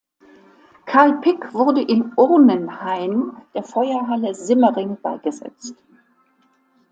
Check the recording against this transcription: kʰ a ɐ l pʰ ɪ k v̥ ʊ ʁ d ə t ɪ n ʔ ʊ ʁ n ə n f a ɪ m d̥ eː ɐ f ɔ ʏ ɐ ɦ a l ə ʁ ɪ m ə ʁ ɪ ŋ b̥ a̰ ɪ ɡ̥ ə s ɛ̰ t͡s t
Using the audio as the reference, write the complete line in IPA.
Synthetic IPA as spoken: kʰ a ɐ l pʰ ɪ k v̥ ʊ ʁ d ə ʔ ɪ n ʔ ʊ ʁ n ə n h a ɪ m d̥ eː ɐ f ɔ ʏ ɐ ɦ a l ə z ɪ m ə ʁ ɪ ŋ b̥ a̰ ɪ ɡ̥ ə z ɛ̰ t͡s t

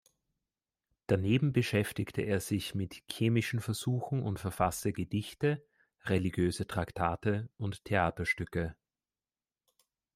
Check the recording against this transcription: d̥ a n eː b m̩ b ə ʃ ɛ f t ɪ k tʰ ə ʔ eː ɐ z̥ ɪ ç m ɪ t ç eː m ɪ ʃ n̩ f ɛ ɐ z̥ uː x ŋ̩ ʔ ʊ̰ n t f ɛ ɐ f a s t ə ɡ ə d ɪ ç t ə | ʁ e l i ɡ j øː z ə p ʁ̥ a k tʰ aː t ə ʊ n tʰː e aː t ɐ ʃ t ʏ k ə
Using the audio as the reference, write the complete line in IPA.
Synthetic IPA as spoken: d̥ a n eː b m̩ b ə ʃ ɛ f t ɪ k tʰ ə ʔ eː ɐ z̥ ɪ ç m ɪ t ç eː m ɪ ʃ n̩ f ɛ ɐ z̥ uː x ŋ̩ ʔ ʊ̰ n t f ɛ ɐ f a s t ə ɡ ə d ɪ ç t ə | ʁ e l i ɡ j øː z ə t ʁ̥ a k tʰ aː t ə ʊ n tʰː e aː t ɐ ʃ t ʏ k ə

